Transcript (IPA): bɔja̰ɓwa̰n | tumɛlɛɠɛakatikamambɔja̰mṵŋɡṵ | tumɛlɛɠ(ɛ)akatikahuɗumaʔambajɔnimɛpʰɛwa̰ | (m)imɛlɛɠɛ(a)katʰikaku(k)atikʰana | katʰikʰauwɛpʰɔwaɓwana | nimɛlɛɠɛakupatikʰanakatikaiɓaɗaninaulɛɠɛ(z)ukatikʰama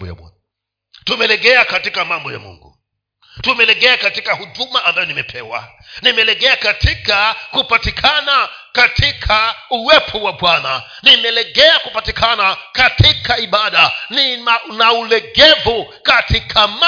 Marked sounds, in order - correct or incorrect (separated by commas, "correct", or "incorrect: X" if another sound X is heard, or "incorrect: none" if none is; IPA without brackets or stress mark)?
correct, incorrect: n, correct, incorrect: p, incorrect: v